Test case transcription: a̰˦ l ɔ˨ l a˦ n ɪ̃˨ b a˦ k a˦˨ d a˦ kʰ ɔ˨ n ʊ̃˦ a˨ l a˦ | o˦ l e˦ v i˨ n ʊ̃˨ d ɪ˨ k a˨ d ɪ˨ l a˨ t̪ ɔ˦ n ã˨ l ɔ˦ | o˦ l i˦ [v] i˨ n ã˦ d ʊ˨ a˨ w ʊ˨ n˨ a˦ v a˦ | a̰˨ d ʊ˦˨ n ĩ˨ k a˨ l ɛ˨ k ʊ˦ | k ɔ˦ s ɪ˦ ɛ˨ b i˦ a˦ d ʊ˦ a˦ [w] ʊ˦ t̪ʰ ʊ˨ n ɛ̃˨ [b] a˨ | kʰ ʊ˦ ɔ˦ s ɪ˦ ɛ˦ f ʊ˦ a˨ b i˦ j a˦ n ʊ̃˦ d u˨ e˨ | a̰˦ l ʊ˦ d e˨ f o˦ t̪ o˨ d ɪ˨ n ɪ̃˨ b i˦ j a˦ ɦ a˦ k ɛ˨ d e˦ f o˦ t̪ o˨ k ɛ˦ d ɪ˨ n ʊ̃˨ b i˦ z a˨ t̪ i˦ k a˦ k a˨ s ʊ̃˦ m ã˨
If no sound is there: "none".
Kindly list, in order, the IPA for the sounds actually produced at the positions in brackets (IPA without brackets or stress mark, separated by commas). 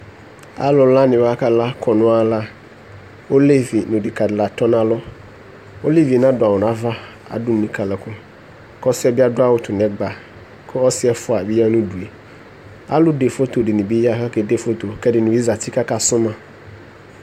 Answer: v, w, ɡ͡b